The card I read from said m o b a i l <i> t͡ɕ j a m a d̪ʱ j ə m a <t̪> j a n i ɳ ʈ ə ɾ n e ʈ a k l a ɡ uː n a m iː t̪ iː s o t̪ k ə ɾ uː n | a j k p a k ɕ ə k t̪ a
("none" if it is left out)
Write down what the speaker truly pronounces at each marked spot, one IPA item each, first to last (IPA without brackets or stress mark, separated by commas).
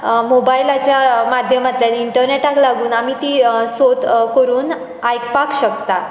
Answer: a, t̪